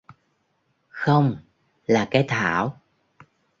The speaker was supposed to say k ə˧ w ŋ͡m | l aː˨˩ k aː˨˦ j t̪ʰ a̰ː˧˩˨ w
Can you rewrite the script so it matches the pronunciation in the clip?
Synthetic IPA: x ə˧ w ŋ͡m | l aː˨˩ k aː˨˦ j t̪ʰ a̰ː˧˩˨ w

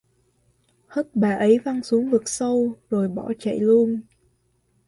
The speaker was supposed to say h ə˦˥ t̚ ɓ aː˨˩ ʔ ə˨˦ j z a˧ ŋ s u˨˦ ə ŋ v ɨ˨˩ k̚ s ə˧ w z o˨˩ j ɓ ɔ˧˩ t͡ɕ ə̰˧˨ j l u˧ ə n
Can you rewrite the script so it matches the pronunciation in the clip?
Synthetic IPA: h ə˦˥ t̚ ɓ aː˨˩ ʔ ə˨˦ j v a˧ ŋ s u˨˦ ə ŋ v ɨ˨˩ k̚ s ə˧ w z o˨˩ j ɓ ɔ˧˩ t͡ɕ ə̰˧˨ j l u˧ ə n

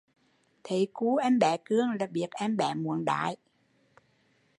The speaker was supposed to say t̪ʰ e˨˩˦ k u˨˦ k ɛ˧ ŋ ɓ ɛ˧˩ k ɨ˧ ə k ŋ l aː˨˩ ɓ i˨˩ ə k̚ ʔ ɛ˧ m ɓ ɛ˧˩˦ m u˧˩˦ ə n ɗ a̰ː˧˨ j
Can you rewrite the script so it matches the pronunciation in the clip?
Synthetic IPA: t̪ʰ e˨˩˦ k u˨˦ ʔ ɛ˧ m ɓ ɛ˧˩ k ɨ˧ ə ŋ l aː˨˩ ɓ i˨˩ ə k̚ ʔ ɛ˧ m ɓ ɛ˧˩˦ m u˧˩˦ ə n ɗ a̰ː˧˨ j

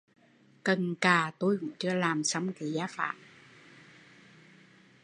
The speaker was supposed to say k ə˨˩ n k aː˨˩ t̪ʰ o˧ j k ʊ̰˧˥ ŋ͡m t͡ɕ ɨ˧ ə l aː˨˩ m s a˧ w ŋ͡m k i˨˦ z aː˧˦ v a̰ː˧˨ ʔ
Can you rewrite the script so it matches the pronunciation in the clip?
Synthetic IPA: k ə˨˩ n k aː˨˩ t̪ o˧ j k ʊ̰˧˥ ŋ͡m t͡ɕ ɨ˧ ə l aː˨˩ m s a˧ w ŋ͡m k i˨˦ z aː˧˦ f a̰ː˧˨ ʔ

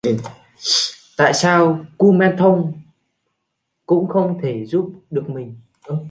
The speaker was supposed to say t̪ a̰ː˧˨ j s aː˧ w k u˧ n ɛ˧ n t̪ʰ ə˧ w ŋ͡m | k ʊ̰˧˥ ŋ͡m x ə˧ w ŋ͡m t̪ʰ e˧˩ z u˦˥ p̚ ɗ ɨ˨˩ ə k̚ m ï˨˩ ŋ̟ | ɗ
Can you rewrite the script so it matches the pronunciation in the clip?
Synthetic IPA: t̪ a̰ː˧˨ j s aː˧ w k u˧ m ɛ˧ n t̪ʰ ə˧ w ŋ͡m | k ʊ̰˧˥ ŋ͡m x ə˧ w ŋ͡m t̪ʰ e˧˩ z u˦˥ p̚ ɗ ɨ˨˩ ə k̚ m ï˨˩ ŋ̟ | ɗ

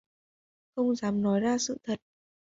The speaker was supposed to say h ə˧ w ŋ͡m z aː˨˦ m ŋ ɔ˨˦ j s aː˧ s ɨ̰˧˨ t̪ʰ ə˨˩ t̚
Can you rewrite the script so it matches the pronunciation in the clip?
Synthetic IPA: x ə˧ w ŋ͡m z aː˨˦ m n ɔ˨˦ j z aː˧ s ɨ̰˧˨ t̪ʰ ə˨˩ t̚

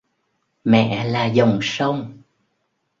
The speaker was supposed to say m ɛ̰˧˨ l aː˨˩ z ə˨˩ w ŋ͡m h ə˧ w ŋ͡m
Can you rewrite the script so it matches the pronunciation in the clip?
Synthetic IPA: m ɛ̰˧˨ l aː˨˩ z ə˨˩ w ŋ͡m s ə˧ w ŋ͡m

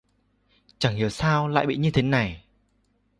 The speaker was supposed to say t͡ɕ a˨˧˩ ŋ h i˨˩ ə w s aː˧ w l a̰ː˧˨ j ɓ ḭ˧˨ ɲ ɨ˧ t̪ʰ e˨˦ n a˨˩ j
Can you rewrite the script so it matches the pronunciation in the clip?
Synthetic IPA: t͡ɕ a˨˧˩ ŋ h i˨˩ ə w s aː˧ w l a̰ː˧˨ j ɓ ḭ˧˨ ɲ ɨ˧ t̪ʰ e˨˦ n a˨˩ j

